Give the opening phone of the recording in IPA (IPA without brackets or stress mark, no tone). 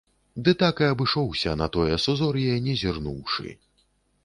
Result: d̪